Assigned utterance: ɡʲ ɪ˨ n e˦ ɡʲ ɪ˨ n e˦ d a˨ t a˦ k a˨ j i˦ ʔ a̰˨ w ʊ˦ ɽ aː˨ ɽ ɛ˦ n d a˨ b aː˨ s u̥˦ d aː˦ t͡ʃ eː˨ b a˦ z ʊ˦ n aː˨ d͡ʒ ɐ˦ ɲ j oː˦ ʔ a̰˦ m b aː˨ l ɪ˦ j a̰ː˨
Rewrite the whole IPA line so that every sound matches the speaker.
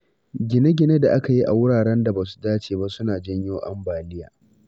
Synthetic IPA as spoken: ɡʲ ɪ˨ n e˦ ɡʲ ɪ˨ n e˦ d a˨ ʔ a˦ k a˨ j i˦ ʔ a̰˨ w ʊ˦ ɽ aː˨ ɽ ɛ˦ n d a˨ b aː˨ s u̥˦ d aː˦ t͡ʃ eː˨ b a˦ s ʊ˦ n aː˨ d͡ʒ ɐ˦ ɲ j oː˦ ʔ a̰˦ m b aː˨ l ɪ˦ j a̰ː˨